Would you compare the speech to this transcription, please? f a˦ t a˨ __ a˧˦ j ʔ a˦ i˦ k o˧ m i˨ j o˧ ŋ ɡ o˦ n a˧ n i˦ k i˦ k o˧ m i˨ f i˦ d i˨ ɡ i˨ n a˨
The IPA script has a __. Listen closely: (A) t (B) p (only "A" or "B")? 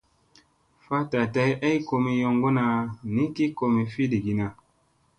A